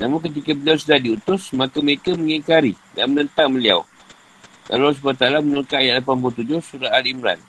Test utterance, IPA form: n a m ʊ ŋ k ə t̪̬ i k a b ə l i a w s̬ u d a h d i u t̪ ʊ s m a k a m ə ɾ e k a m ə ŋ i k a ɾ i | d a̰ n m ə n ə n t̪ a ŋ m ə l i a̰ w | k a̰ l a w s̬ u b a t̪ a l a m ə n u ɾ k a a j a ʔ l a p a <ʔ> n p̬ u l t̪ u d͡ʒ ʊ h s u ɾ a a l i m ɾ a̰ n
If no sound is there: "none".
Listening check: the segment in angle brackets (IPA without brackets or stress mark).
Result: none